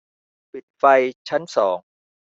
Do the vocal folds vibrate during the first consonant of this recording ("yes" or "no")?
no